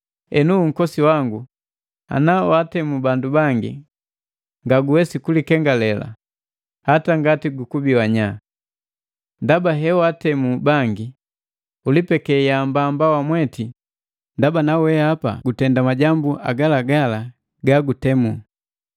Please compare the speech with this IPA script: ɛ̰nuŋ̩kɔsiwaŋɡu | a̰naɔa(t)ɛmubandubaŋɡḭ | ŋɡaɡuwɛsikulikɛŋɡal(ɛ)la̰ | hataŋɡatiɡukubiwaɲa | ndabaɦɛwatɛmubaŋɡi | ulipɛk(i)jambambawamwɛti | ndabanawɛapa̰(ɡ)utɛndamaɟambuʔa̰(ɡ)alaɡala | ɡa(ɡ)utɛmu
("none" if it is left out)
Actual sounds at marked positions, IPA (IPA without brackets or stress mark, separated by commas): t, ɛ, ɛ, ɡ, ɡ, ɡ